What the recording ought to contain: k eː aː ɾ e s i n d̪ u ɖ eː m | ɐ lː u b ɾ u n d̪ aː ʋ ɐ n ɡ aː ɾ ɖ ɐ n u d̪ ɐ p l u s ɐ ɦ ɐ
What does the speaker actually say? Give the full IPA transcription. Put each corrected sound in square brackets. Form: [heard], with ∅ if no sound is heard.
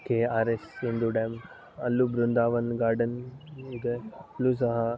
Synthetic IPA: k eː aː ɾ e s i n d̪ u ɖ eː m | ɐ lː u b ɾ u n d̪ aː ʋ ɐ n ɡ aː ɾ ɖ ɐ n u d̪ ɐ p l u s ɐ ɦ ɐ